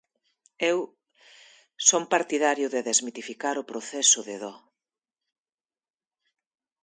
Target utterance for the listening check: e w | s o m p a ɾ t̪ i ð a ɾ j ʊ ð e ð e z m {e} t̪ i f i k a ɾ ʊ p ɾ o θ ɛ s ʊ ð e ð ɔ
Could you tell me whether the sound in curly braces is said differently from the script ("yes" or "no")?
yes